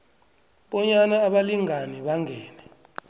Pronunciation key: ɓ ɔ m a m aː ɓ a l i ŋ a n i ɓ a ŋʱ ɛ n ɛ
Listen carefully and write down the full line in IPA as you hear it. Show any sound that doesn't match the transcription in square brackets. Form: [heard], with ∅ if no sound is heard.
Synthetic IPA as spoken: ɓ ɔ [ɲ] a [n] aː ɓ a l i ŋ a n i ɓ a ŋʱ [ɛː] n ɛ